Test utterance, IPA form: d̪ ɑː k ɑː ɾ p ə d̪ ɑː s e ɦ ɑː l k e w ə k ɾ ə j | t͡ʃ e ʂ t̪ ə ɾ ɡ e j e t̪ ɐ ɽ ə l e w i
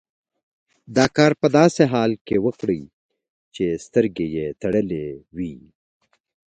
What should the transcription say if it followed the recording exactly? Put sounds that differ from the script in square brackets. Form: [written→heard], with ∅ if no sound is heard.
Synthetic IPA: d̪ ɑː k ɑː ɾ p ə d̪ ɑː s e ɦ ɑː l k e w ə k [ɾ→ɽ] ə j | t͡ʃ e [ʂ→s] t̪ ə ɾ ɡ e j e t̪ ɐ ɽ ə l e w i

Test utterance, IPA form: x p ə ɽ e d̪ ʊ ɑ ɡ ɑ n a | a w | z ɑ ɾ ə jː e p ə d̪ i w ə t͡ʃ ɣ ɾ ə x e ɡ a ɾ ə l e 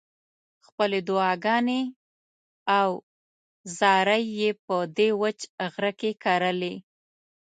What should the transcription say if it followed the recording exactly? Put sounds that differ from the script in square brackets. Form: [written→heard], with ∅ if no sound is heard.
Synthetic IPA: x p ə [ɽ→l] e d̪ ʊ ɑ ɡ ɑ n [a→e] | a w | z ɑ ɾ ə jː e p ə d̪ [i→e] w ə t͡ʃ ɣ ɾ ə [x→k] e [ɡ→k] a ɾ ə l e

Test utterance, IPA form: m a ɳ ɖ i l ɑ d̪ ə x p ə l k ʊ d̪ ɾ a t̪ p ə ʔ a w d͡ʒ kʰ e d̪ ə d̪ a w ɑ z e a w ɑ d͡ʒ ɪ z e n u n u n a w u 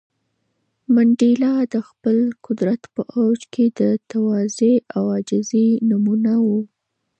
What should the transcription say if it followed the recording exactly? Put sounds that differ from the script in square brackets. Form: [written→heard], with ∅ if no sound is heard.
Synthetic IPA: m a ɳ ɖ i l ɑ d̪ ə x p ə l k ʊ d̪ ɾ a t̪ p ə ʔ a w d͡ʒ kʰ e d̪ ə [d̪→t̪] a w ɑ z e a w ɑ d͡ʒ ɪ z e n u [n→m] u n a w u

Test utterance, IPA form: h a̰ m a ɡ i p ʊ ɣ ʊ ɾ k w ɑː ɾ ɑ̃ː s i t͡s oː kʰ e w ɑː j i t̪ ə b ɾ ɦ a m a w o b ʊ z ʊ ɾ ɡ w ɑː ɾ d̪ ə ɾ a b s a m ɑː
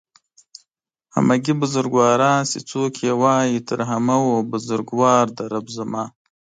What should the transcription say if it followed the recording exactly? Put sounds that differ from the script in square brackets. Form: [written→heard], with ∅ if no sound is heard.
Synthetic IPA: h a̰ m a ɡ i [p→b] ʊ [ɣ→z] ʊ ɾ [k→ɡ] w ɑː ɾ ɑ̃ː s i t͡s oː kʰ e w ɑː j i t̪ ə [b→∅] ɾ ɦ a m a w o b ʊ z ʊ ɾ ɡ w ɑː ɾ d̪ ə ɾ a b [s→z] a m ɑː

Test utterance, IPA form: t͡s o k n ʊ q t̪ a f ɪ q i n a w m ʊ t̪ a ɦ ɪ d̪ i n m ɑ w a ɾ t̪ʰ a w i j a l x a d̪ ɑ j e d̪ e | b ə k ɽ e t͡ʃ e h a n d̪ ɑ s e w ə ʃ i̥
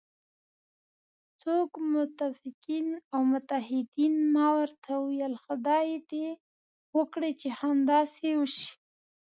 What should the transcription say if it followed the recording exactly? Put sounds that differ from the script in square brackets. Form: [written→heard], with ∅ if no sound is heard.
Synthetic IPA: t͡s o k [n→m] ʊ [q→∅] t̪ a f ɪ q i n a w m ʊ t̪ a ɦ ɪ d̪ i n m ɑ w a ɾ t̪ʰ a w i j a l x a d̪ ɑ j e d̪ e | [b→w] ə k ɽ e t͡ʃ e h a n d̪ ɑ s e w ə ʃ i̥

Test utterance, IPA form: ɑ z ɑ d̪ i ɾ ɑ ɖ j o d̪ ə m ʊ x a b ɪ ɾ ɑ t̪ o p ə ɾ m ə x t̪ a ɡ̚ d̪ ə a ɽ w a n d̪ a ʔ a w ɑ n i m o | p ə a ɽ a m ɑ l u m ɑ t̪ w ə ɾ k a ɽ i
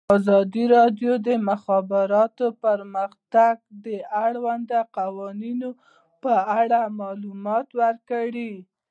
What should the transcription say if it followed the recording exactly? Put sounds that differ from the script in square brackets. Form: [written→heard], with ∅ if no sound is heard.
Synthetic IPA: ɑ z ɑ d̪ i ɾ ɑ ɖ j o d̪ ə m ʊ x [a→ɑ] b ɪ ɾ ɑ t̪ o p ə ɾ m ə x t̪ a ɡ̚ d̪ ə a ɽ w a n d̪ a [ʔ→q] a w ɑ n i [m→n] o | p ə a ɽ a m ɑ l u m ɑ t̪ w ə ɾ k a ɽ i

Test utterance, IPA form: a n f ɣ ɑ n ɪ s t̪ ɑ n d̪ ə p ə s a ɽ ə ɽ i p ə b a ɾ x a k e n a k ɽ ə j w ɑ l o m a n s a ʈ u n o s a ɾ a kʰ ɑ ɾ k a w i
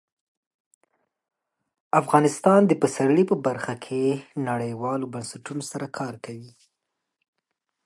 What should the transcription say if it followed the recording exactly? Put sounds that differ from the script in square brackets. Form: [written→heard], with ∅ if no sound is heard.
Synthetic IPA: a [n→∅] f ɣ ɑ n ɪ s t̪ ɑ n d̪ ə p ə s a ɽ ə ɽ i p ə b a ɾ x a [k→kʰ] e n a [k→∅] ɽ ə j w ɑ l o [m→b] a n s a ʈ u n o s a ɾ a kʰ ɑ ɾ k a w i

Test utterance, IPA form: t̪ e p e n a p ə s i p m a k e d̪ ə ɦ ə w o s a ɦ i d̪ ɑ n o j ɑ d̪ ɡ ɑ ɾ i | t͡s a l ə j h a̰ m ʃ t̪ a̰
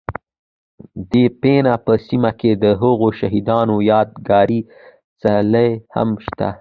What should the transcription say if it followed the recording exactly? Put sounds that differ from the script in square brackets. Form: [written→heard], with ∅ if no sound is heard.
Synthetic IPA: [t̪→d̪] e p e n a p ə s i [p→∅] m a k e d̪ ə ɦ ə [w→ɣ] o [s→ʃ] a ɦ i d̪ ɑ n o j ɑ d̪ ɡ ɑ ɾ i | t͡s a l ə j h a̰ m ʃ t̪ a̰

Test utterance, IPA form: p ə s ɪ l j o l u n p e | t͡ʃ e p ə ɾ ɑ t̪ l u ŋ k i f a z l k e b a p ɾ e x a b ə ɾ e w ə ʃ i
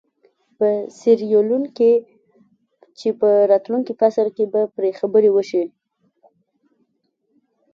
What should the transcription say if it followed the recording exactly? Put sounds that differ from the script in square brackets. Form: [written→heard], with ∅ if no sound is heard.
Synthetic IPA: p ə s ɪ [l→ɾ] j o l u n [p→k] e | t͡ʃ e p ə ɾ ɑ t̪ l u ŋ k i f a [z→s] l k e b a p ɾ e x a b ə ɾ e w ə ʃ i

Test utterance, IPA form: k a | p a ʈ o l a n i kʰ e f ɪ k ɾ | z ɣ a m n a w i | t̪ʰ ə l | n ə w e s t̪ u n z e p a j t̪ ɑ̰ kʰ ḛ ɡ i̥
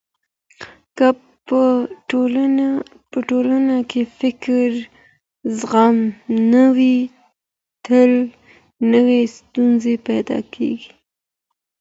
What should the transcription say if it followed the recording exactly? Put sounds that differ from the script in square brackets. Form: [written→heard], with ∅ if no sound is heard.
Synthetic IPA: k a | p [a→ə] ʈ o l a n [i→a] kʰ e f ɪ k ɾ | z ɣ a m n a w i | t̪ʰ ə l | n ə w e s t̪ u n z e p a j [t̪→d̪] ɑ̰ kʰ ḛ ɡ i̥

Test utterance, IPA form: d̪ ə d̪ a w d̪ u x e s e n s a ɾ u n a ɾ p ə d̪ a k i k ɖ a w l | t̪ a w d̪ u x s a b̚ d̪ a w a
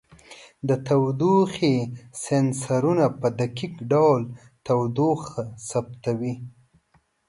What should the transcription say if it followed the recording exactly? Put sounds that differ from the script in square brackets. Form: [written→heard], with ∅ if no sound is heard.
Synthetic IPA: d̪ ə [d̪→t̪] a w d̪ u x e s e n s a ɾ u n a [ɾ→∅] p ə d̪ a k i k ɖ a w l | t̪ a w d̪ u x s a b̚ [d̪→t̪] a w [a→i]

